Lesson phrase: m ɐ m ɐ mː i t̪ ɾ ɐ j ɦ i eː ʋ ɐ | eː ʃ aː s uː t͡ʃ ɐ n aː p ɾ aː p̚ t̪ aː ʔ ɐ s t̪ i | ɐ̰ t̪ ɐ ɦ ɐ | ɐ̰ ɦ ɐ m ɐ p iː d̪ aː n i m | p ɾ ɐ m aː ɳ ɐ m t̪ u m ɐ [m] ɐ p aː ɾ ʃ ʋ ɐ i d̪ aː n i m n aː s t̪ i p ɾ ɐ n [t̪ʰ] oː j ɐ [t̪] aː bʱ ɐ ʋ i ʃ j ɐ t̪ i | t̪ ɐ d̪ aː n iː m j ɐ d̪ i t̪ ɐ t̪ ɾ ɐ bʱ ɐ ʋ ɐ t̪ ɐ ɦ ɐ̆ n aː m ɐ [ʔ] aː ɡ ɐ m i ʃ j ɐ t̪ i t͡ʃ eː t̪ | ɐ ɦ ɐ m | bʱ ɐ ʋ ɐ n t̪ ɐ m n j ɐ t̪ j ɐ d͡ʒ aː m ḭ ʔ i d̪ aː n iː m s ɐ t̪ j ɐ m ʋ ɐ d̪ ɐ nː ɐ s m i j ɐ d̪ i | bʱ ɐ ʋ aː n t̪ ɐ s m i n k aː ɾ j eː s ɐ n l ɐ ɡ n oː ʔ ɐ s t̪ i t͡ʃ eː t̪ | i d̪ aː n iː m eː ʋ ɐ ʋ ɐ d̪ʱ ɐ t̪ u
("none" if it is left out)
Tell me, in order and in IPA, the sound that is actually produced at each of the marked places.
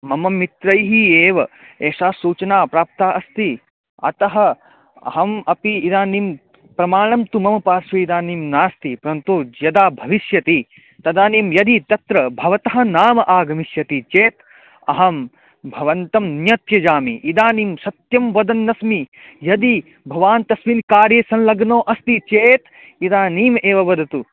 m, t̪, d̪, ʔ

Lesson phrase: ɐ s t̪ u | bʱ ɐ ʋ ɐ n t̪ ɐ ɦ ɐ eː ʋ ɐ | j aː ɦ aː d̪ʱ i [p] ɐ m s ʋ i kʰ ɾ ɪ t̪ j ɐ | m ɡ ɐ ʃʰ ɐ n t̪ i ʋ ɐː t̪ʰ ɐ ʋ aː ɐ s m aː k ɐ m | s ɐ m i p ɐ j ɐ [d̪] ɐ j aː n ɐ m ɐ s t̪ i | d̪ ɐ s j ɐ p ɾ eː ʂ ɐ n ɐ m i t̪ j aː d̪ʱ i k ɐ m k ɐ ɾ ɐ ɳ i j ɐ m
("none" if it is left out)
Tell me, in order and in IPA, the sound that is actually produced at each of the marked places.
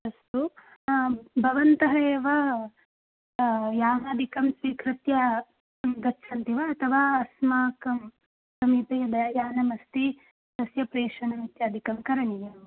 k, d̪

